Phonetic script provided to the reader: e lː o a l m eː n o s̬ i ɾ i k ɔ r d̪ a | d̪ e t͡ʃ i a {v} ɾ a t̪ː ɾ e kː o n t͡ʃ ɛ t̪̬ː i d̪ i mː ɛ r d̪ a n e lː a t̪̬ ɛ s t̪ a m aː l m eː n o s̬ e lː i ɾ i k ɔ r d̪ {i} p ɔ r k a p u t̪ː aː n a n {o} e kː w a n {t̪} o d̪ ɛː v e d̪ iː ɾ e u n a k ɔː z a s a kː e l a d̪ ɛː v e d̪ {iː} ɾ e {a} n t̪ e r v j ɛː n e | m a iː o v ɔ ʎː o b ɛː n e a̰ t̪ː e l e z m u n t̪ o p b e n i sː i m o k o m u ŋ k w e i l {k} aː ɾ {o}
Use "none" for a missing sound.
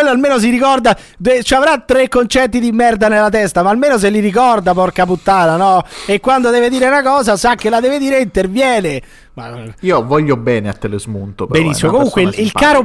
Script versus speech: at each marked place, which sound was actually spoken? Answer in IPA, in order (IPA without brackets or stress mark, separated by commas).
v, a, ɔ, d̪, iː, i, k, o